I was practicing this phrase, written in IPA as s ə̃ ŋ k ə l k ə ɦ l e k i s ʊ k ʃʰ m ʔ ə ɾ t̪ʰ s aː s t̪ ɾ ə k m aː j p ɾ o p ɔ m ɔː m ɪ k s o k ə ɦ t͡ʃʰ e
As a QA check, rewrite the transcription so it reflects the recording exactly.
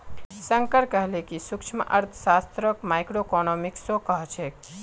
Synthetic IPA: s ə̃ ŋ k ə ɾ k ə ɦ l e k i s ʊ k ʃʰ m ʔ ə ɾ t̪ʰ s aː s t̪ ɾ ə k m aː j k ɾ o k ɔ n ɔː m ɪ k s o k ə ɦ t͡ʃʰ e